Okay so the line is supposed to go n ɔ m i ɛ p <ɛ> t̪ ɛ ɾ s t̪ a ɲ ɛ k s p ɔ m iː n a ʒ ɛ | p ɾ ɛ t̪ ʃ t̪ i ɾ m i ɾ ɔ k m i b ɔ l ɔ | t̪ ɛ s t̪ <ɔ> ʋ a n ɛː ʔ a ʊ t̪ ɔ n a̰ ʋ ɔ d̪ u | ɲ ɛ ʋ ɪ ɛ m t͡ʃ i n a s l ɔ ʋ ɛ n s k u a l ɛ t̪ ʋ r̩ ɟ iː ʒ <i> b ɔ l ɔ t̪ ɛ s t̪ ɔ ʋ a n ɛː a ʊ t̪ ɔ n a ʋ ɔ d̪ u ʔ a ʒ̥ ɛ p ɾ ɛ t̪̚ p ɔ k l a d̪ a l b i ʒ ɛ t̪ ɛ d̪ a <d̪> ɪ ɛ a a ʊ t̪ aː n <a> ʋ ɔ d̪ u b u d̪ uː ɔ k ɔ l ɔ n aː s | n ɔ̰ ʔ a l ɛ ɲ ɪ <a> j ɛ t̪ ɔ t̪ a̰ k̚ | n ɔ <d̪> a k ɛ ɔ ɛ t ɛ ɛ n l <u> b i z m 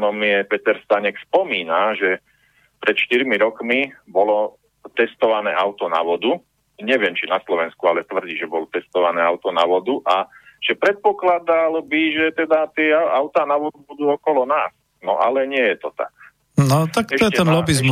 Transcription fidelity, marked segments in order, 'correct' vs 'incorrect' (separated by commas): correct, correct, incorrect, incorrect, correct, incorrect, incorrect, incorrect